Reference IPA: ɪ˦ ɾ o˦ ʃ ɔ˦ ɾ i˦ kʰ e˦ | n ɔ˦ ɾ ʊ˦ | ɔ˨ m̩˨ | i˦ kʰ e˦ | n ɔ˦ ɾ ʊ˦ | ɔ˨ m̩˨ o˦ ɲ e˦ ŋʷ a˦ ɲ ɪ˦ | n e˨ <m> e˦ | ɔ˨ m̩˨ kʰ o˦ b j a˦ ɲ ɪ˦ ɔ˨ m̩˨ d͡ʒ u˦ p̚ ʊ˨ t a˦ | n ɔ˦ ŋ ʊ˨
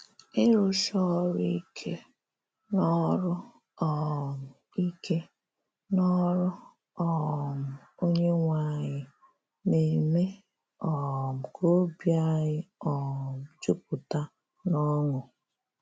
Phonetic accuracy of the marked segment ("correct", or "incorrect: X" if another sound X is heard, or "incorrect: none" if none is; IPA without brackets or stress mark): correct